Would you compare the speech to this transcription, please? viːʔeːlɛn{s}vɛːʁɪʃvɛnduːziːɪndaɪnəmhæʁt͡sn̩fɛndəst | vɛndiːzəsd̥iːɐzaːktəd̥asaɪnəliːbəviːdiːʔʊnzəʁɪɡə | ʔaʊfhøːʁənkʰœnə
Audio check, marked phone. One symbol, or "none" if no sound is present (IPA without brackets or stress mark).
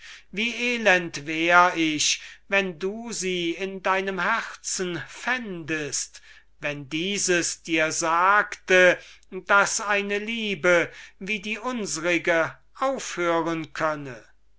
t